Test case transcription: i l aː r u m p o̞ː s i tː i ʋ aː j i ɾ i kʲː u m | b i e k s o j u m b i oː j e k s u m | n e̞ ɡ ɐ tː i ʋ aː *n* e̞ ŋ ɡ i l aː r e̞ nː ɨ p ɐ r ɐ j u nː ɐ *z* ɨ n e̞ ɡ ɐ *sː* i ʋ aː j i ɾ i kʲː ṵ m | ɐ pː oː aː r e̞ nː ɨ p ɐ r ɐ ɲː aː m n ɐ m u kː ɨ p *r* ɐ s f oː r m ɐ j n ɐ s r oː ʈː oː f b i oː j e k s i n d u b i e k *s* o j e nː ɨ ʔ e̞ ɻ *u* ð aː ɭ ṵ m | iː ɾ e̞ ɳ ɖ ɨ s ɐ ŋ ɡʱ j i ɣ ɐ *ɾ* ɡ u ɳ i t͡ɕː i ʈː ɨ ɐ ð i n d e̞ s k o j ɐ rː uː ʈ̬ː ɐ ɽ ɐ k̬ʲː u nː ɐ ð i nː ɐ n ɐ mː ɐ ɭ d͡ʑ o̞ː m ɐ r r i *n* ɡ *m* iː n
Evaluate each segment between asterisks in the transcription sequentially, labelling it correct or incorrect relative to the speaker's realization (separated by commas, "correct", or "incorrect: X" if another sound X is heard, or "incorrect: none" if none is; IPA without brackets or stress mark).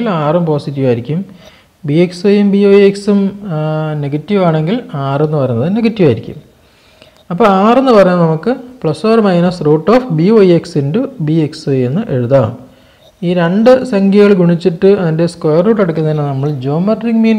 incorrect: ɳ, incorrect: ð, incorrect: tː, incorrect: ɭ, correct, correct, incorrect: ɭ, incorrect: ŋ, correct